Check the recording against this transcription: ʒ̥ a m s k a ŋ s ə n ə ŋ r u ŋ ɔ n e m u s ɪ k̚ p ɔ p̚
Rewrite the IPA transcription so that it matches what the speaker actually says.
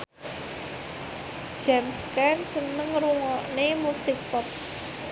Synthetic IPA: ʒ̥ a m s k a n s ə n ə ŋ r u ŋ ɔ n e m u s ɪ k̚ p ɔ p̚